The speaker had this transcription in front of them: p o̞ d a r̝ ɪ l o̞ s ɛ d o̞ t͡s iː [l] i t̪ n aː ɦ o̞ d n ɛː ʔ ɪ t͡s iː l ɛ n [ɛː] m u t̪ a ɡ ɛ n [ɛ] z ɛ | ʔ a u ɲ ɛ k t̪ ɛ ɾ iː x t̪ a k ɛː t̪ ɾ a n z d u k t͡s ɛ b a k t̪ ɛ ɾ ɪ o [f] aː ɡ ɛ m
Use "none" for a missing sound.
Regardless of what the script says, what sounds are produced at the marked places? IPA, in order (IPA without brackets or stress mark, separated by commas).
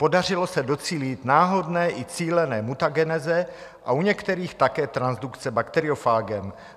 l, ɛː, ɛ, f